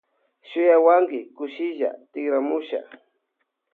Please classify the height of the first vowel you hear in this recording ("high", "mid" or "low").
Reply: high